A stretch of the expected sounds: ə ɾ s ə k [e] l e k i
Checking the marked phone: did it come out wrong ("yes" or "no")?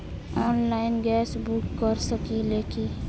yes